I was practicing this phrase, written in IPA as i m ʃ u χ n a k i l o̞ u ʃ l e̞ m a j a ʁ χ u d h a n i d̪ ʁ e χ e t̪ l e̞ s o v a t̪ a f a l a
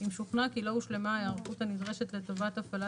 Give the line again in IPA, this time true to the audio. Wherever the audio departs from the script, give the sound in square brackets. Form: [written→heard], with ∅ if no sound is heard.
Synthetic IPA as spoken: i m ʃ u χ n a k i l o̞ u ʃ l e̞ m a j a ʁ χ u [d→t] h a n i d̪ ʁ e [χ→ʃ] e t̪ l e̞ [s→t] o v a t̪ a f a l a